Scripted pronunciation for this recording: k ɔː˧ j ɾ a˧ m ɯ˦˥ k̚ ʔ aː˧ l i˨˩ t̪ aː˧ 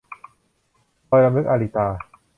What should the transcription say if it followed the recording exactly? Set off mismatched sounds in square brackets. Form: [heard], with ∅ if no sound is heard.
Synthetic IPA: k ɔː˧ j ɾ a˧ m ɯ˦˥ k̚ ʔ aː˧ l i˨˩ t̪ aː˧

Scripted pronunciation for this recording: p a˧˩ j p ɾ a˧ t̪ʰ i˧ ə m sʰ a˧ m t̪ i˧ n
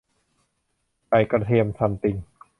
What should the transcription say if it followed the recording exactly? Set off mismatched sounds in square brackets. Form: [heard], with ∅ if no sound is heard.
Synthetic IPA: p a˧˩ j [k] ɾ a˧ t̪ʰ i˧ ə m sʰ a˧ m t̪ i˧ [ŋ]

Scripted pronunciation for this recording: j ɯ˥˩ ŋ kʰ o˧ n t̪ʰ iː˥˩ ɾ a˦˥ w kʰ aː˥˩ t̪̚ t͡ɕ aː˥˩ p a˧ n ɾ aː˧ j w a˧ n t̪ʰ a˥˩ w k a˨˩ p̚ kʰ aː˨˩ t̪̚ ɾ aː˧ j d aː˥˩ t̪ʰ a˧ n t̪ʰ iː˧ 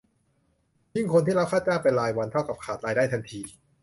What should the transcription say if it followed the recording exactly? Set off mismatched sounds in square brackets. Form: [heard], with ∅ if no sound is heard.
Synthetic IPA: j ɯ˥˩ ŋ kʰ o˧ n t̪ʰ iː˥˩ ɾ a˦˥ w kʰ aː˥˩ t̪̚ t͡ɕ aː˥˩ p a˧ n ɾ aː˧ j w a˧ n t̪ʰ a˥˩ w k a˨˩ p̚ kʰ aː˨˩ t̪̚ ɾ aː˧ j d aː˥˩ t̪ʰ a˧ n t̪ʰ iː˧

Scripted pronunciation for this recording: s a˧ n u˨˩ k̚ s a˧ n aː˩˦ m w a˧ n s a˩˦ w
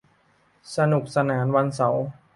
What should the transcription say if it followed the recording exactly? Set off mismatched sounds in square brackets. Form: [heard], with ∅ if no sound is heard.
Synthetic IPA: s a˧ n u˨˩ k̚ s a˧ n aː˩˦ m w a˧ n s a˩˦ w

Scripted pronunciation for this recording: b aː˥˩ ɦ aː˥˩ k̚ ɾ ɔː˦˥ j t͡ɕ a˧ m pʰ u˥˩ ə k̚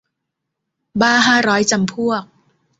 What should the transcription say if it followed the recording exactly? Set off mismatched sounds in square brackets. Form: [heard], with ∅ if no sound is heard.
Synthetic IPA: b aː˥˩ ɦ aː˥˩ [∅] ɾ ɔː˦˥ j t͡ɕ a˧ m pʰ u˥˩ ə k̚

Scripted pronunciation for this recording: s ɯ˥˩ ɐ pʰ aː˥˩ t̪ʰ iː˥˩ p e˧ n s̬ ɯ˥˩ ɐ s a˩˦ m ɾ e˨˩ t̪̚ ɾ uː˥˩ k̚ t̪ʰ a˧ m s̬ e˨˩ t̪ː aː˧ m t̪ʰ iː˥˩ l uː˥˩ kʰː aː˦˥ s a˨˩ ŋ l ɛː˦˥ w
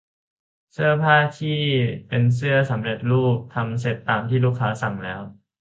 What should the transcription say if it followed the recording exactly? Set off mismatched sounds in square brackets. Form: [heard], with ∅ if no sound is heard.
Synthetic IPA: s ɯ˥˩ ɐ pʰ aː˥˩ t̪ʰ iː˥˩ p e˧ n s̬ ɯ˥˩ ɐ s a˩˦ m ɾ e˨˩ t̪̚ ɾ uː˥˩ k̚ t̪ʰ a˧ m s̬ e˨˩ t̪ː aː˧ m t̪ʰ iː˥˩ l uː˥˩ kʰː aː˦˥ s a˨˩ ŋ l ɛː˦˥ w

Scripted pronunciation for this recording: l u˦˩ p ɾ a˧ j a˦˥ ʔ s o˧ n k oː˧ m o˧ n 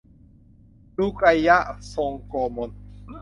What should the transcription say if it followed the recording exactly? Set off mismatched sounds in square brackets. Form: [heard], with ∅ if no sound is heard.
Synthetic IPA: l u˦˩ [k] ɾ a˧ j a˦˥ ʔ s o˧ [ŋ] k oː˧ m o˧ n

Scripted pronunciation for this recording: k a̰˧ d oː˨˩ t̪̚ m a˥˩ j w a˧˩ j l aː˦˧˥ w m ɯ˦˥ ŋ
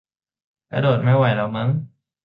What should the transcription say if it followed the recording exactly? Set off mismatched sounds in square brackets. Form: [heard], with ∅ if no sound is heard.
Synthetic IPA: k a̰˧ d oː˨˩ t̪̚ m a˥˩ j w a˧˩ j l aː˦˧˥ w m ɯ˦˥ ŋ

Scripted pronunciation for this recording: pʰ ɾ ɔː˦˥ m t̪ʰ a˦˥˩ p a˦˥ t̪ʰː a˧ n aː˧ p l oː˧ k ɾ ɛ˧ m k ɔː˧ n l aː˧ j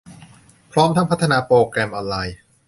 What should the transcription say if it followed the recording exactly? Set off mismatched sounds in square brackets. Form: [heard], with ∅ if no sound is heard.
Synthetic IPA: pʰ ɾ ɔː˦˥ m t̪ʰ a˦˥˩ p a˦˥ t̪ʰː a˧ n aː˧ p [ɾ] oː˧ k ɾ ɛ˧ m [ʔ] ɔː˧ n l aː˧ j

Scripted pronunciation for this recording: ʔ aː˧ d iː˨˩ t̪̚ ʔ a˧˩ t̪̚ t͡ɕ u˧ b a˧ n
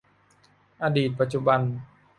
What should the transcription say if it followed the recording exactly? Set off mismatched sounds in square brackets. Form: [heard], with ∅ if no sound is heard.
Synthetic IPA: ʔ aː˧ d iː˨˩ t̪̚ [p] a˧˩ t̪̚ t͡ɕ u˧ b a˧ n

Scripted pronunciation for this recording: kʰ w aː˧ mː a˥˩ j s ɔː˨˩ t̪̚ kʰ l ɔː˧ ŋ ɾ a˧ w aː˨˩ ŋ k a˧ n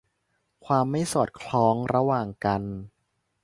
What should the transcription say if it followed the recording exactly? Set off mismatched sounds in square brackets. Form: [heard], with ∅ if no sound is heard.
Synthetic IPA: kʰ w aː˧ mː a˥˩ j s ɔː˨˩ t̪̚ kʰ l [ɔː˦˥] ŋ ɾ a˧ w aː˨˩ ŋ k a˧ n

